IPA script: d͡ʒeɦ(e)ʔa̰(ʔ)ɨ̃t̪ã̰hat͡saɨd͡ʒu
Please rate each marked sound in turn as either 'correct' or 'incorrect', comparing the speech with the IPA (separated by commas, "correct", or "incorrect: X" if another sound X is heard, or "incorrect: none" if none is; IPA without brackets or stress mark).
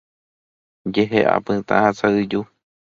correct, incorrect: p